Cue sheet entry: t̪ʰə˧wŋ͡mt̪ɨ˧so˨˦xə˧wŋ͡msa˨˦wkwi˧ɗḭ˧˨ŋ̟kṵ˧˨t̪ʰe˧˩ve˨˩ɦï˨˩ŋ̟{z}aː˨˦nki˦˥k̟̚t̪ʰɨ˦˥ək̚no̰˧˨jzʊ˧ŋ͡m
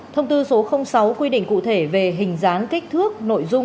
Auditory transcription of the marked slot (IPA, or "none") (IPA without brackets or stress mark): z